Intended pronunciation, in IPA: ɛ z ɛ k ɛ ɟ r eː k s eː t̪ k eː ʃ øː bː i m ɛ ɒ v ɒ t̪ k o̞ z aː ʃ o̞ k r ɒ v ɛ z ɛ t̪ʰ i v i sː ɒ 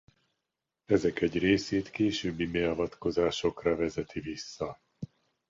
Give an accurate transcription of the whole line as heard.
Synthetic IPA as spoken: ɛ z ɛ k ɛ ɟ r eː s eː t̪ k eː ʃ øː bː i m ɛ ɒ v ɒ t̪ k o̞ z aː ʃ o̞ k r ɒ v ɛ z ɛ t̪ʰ i v i sː ɒ